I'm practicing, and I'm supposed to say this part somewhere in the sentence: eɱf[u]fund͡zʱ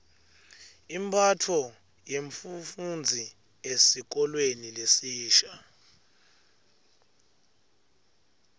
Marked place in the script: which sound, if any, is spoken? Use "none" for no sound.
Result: u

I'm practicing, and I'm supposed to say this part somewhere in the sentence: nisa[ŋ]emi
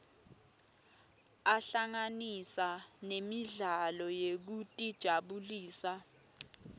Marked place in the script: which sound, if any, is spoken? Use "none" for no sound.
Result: n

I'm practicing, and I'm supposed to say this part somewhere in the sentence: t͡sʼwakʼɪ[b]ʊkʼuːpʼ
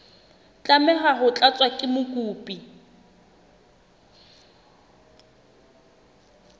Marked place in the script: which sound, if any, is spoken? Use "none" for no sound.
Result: m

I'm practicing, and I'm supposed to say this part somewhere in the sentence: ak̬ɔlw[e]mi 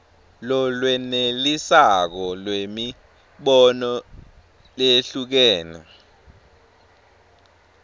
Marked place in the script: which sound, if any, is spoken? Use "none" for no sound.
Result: e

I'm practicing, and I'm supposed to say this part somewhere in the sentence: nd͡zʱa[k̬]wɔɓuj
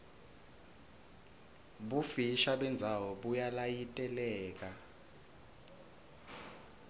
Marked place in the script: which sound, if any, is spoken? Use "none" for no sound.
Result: none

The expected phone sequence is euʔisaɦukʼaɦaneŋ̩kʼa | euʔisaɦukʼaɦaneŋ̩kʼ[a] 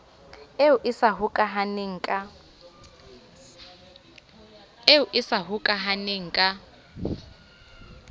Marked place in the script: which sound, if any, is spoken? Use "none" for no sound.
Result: a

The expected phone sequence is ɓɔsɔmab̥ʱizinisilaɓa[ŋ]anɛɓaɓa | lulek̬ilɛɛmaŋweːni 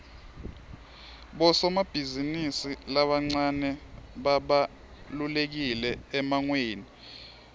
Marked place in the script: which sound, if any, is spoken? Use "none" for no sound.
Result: ŋ͡ǀ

